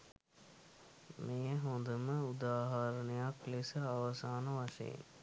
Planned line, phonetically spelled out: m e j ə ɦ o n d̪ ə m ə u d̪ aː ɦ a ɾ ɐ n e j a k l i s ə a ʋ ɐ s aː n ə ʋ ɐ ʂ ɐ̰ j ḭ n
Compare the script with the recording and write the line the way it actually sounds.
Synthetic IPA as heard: m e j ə ɦ o n d̪ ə m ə u d̪ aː ɦ a ɾ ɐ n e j a k l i s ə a ʋ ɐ s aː n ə ʋ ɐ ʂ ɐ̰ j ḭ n